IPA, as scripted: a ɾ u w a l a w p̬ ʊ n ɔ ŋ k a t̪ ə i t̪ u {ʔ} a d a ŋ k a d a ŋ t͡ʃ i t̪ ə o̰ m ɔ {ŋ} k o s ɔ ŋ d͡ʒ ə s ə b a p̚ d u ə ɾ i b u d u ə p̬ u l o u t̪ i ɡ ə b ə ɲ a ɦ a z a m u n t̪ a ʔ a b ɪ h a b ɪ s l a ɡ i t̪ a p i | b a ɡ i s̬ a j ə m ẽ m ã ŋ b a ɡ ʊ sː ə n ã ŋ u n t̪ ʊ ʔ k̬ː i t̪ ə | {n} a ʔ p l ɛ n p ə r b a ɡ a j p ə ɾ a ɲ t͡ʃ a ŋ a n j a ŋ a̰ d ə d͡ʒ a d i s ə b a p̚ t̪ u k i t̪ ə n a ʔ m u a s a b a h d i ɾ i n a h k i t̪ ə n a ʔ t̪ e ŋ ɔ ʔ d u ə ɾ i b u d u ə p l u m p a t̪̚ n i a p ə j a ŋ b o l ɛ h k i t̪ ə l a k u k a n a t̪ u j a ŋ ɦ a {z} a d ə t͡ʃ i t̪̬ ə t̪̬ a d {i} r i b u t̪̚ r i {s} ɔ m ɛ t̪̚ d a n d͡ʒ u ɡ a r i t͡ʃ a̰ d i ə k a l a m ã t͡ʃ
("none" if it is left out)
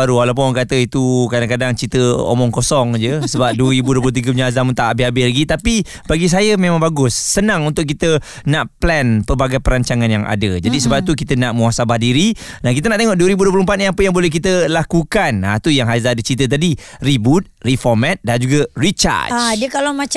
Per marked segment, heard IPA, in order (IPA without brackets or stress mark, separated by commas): k, ŋ, n, z, i, f